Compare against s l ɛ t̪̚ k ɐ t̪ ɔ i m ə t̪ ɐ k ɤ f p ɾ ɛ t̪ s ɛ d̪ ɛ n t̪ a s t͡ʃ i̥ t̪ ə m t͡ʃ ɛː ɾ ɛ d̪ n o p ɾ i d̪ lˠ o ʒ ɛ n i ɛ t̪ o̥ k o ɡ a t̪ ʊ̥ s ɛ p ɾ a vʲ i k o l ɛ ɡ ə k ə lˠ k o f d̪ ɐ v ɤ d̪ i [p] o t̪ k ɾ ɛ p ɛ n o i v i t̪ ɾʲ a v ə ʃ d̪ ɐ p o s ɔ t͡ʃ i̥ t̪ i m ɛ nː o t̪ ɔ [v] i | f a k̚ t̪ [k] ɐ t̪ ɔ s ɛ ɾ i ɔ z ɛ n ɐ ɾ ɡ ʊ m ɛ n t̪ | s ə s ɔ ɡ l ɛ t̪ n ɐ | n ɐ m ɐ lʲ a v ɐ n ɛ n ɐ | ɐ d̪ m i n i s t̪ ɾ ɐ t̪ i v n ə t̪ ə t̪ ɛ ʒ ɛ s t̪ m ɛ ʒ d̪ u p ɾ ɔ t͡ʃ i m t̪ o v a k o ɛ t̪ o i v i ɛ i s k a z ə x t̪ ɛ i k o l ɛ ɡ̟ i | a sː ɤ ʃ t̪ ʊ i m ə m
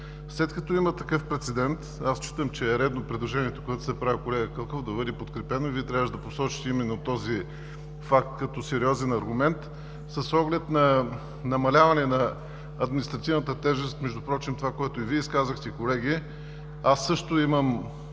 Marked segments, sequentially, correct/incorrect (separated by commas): correct, incorrect, correct